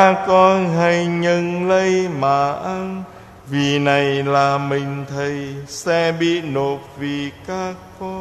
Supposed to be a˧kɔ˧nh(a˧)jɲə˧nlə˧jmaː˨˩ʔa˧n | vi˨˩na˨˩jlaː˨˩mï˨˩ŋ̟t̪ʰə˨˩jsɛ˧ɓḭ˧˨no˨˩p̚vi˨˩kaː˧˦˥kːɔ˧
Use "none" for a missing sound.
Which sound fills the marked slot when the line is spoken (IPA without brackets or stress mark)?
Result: a˧